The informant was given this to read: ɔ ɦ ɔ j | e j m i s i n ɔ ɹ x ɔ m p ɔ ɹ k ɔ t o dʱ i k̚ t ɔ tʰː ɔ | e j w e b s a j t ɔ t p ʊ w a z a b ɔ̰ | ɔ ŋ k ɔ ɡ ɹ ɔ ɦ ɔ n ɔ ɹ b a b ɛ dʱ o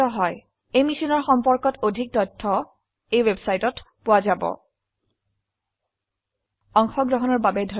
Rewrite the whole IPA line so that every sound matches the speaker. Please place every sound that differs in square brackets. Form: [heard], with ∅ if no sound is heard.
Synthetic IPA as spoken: ɔ ɦ ɔ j | e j m i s i n ɔ ɹ x ɔ m p ɔ ɹ k ɔ t o dʱ i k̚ t ɔ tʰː ɔ | e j w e b s a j t ɔ t p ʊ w a z a b ɔ̰ | ɔ ŋ [x] ɔ ɡ ɹ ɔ ɦ ɔ n ɔ ɹ b a b ɛ dʱ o